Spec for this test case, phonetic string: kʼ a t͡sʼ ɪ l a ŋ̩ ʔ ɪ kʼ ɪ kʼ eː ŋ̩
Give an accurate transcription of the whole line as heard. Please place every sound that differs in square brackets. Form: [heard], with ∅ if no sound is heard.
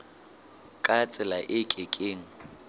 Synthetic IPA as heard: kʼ a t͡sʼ ɪ l a [∅] ʔ ɪ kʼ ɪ kʼ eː ŋ̩

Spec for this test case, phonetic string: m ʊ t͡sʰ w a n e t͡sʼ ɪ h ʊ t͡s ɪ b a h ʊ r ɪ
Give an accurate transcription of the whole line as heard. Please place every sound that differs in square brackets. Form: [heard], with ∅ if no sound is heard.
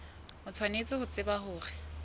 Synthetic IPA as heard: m ʊ t͡sʰ w a n e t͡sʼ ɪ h ʊ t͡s ɪ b a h [ʊː] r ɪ

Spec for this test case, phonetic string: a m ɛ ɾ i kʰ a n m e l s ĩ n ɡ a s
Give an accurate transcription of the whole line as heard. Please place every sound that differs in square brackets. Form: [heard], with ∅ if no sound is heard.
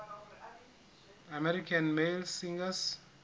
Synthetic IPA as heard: a m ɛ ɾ i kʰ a n m e l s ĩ [ŋ] ɡ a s

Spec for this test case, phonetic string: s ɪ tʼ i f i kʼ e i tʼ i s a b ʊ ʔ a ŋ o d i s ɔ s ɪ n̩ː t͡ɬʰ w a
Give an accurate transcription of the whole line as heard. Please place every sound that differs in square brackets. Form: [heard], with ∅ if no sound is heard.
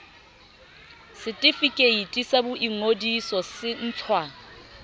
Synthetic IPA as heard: s ɪ tʼ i f i kʼ e i tʼ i s a b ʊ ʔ [i] ŋ o d i s ɔ s ɪ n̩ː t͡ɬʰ w a

